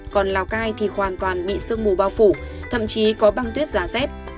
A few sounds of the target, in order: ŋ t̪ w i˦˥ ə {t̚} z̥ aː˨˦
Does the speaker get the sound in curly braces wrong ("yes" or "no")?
no